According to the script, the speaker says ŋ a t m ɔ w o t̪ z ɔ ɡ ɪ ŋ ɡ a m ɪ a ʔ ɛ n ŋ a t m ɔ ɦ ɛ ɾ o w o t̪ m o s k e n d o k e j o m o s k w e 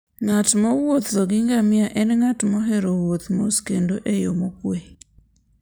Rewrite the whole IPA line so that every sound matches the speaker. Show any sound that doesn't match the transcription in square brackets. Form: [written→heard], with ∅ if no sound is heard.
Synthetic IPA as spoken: ŋ a t m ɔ w o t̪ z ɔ ɡ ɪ ŋ ɡ a m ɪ a ʔ ɛ n ŋ a t m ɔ ɦ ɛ ɾ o w o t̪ m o s k e n d o [k→ʔ] e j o m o [s→∅] k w e